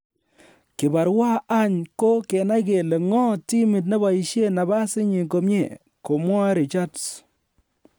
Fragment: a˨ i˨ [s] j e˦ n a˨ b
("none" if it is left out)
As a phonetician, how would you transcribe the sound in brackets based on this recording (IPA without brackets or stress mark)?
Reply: ʃ